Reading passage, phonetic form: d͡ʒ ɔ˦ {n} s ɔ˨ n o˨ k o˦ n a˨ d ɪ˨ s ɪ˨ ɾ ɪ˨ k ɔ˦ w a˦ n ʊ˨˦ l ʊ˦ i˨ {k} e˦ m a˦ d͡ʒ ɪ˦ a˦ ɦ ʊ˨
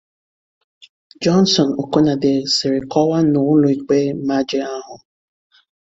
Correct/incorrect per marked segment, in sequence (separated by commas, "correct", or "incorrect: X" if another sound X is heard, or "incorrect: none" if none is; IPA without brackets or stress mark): correct, incorrect: k͡p